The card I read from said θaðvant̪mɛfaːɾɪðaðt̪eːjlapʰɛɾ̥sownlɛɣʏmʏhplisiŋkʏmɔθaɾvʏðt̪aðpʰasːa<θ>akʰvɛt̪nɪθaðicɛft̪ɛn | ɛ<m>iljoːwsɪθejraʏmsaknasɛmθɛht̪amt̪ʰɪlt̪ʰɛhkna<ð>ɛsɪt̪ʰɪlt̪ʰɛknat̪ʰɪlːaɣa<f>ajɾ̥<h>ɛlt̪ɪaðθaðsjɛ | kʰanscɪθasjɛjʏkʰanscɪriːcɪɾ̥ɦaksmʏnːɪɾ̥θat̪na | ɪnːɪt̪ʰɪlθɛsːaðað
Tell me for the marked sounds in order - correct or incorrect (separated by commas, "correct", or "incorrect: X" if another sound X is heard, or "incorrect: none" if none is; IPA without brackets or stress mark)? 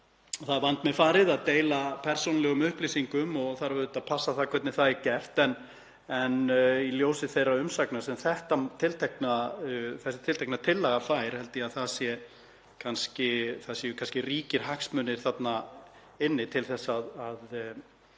correct, incorrect: n, incorrect: θ, correct, correct